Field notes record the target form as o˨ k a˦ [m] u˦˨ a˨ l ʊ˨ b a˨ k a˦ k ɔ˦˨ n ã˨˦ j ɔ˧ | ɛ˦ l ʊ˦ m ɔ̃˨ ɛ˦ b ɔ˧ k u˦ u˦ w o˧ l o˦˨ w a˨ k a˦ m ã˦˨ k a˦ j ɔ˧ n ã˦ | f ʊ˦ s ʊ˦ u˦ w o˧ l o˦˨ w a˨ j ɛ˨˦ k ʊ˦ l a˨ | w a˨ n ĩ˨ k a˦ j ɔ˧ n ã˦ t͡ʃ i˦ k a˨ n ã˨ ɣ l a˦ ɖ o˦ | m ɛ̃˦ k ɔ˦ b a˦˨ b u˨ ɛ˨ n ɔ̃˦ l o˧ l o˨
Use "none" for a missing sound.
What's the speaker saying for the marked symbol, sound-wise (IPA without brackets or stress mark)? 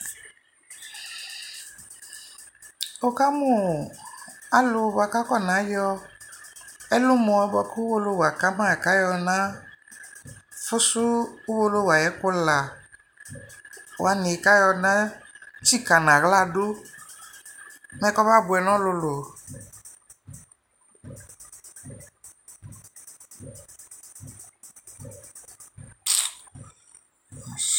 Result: m